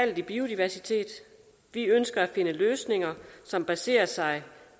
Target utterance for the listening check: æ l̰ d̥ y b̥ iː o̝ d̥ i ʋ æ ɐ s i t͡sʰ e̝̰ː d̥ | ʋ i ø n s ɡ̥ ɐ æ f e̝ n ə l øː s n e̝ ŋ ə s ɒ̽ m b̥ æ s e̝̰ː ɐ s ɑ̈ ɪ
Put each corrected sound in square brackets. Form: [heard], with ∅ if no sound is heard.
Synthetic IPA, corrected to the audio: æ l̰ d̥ [i] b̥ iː o̝ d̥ i ʋ æ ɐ s i t͡sʰ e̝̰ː d̥ | ʋ i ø n s ɡ̥ ɐ æ f e̝ n ə l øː s n e̝ ŋ [ɐ] s ɒ̽ m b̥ æ s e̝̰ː ɐ s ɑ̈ ɪ